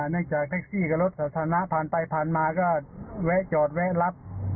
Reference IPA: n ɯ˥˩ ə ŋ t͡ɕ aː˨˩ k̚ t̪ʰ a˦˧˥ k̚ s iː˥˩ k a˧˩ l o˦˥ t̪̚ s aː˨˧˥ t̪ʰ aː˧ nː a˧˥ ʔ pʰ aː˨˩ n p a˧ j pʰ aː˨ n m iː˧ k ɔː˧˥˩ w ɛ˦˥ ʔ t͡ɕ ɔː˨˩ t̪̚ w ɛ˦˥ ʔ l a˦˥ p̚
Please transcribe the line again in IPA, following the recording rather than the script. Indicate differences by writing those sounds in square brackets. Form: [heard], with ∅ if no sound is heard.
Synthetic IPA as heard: n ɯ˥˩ ə ŋ t͡ɕ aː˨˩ k̚ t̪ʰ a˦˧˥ k̚ s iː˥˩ k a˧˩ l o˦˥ t̪̚ s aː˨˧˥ t̪ʰ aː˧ [n] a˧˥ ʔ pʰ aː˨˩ n p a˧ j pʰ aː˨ n m [aː˧] k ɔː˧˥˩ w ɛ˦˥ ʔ t͡ɕ ɔː˨˩ t̪̚ w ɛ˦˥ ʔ l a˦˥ p̚